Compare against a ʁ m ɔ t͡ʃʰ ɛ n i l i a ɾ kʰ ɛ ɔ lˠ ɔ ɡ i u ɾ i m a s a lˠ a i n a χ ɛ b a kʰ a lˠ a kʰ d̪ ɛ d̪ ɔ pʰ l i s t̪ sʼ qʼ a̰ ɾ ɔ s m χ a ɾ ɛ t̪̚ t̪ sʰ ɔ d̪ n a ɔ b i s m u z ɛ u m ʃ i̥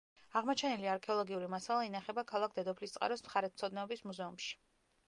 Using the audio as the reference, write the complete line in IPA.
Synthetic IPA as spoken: a ʁ m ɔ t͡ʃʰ ɛ n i l i a ɾ kʰ ɛ ɔ lˠ ɔ ɡ i u ɾ i m a s a lˠ a i n a χ ɛ b a kʰ a lˠ a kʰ d̪ ɛ d̪ ɔ pʰ l i s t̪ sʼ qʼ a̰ ɾ ɔ s m χ a ɾ ɛ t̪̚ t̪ sʰ ɔ d̪ n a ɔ b i s m u z ɛ u m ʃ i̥